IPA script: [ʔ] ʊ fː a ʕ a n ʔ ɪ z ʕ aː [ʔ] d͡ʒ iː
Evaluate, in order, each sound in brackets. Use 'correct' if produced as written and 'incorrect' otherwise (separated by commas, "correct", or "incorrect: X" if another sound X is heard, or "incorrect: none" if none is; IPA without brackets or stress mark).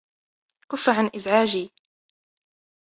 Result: incorrect: k, incorrect: none